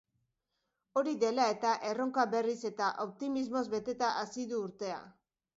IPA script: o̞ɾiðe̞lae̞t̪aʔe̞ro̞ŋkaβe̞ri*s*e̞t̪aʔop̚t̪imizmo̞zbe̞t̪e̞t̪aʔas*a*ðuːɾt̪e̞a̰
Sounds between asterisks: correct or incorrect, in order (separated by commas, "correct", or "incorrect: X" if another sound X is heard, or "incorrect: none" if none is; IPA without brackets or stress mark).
correct, incorrect: i